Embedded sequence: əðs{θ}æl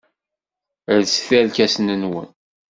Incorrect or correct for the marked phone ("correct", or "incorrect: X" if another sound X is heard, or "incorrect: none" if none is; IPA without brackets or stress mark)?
correct